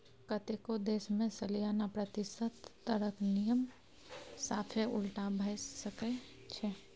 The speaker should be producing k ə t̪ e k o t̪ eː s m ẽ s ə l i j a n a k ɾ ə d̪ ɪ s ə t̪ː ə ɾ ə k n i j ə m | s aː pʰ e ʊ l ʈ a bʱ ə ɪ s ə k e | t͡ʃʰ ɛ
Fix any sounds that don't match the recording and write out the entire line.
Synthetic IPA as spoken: k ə t̪ e k o d̪ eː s m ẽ s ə l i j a n a p ɾ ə t̪ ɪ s ə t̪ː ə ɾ ə k n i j ə m | s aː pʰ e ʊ l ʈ a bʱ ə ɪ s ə k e | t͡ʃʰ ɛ